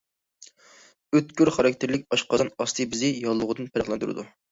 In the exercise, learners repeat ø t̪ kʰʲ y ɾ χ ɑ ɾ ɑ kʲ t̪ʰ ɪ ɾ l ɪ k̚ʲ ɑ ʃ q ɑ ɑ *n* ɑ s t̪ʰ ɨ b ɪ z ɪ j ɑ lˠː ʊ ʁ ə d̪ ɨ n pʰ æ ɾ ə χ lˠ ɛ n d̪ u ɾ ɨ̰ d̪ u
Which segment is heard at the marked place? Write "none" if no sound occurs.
n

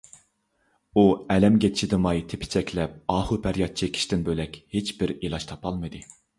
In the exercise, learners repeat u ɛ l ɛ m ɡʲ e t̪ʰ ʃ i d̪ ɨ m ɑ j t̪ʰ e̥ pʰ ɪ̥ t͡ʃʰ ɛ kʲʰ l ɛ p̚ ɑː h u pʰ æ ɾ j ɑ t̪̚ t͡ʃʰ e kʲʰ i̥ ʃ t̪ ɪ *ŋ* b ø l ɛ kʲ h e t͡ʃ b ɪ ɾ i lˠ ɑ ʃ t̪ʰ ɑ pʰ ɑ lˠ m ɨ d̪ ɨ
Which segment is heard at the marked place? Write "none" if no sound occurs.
n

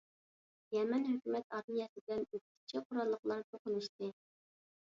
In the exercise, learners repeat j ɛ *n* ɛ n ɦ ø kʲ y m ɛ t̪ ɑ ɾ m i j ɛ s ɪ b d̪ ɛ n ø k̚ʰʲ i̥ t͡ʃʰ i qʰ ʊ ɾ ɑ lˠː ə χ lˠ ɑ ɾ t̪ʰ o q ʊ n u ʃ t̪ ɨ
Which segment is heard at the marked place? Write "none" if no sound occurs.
m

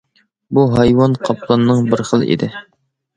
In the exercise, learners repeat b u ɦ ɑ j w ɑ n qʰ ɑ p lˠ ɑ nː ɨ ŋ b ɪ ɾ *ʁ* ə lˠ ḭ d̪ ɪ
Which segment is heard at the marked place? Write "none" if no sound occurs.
χ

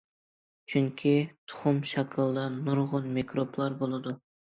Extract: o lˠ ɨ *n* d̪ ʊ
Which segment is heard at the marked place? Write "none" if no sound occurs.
none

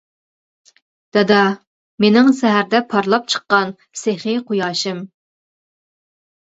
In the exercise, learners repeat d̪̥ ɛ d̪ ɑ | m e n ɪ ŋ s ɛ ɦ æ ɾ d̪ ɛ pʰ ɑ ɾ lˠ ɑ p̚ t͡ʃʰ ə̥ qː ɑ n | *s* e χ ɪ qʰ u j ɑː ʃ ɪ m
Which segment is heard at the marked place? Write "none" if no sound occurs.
s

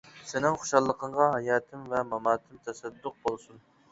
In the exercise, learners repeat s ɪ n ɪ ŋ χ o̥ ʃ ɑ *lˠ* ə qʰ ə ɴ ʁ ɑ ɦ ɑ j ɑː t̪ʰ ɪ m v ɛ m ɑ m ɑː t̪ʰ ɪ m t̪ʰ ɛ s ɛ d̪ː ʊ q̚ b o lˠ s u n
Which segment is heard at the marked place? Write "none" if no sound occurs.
lˠː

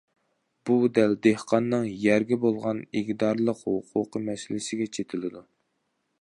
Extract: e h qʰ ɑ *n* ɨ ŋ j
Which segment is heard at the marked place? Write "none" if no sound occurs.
nː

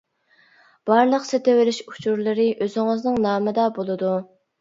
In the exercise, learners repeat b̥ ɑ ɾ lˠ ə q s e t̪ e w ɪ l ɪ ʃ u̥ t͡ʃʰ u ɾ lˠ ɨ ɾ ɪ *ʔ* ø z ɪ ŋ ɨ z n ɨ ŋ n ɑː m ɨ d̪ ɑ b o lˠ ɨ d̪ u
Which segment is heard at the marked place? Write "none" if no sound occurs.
ʔ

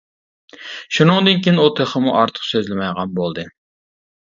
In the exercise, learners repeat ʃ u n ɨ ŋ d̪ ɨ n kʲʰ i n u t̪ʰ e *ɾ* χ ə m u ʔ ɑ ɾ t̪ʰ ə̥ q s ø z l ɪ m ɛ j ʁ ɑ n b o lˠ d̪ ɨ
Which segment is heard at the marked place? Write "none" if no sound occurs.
none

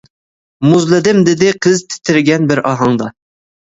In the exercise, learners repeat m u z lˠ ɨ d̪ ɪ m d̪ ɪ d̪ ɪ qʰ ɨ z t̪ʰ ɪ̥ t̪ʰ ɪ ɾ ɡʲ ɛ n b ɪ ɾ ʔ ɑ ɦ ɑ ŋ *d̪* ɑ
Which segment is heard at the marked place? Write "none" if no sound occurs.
d̪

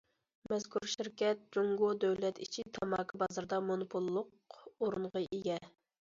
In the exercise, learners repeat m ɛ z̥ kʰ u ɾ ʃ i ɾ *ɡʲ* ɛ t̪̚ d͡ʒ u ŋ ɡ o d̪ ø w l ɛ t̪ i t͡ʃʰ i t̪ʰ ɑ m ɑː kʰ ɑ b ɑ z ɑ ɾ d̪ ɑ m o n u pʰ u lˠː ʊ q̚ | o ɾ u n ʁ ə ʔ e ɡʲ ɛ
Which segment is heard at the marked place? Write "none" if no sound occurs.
kʲ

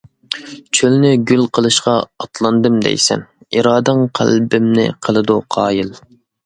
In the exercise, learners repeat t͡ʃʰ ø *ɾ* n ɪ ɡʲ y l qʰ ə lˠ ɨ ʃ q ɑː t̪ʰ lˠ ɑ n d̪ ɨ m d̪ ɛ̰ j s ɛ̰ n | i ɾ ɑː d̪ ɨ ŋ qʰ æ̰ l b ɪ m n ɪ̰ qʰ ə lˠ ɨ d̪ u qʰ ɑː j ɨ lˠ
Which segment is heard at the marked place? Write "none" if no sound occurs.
l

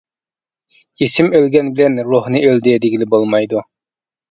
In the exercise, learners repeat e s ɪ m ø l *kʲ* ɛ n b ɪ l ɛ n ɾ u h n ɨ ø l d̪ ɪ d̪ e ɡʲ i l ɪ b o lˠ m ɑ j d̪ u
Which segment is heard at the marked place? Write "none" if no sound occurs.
ɡʲ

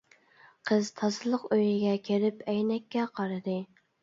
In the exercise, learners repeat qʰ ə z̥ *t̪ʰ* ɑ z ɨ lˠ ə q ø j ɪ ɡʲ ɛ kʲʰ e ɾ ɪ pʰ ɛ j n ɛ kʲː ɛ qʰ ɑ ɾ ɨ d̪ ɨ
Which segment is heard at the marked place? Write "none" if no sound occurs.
t̪ʰ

